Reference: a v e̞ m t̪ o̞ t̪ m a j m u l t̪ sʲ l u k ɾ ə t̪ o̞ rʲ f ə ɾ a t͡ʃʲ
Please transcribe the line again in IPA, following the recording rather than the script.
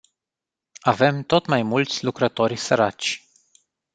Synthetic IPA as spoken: a v e̞ m t̪ o̞ t̪ m a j m u l t̪ sʲ l u k ɾ ə t̪ o̞ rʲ s ə ɾ a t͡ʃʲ